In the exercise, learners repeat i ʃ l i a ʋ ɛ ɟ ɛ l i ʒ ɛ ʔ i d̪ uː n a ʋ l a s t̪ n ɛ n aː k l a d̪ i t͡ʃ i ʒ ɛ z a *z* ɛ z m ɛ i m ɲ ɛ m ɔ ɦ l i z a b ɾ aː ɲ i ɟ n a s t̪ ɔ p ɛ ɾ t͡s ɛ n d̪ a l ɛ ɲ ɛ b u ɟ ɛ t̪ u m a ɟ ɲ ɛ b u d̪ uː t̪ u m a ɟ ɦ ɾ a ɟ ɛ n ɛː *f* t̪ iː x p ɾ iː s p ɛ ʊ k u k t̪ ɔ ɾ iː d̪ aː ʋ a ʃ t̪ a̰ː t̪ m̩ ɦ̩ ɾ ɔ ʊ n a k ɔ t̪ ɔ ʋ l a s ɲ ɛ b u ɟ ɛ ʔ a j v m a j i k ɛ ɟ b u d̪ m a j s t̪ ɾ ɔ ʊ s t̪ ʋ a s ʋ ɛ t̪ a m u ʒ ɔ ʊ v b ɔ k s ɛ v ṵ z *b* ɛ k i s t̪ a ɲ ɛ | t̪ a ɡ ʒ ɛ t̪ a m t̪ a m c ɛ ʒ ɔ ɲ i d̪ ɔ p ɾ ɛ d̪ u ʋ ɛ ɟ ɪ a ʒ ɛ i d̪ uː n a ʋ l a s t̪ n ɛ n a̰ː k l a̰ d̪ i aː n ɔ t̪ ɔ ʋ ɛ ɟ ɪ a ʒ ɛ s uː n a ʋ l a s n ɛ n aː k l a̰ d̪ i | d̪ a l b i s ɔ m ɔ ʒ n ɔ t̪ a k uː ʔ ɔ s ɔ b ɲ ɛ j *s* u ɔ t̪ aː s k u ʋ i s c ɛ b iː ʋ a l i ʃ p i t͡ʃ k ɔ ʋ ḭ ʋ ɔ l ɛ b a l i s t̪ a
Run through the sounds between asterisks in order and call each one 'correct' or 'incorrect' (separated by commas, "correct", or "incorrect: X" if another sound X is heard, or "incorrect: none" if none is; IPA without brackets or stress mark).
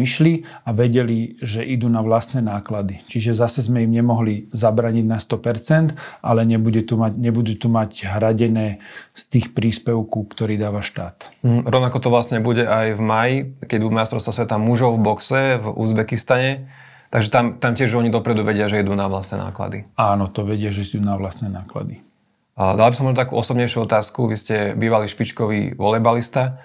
incorrect: s, incorrect: s, correct, incorrect: ʃ